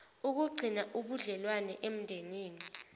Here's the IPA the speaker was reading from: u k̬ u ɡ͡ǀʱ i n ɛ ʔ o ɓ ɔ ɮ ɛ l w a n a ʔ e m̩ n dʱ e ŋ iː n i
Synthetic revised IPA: u k̬ u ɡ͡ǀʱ i n a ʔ u ɓ u ɮ ɛ l w a n ɛ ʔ e m̩ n dʱ e n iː n i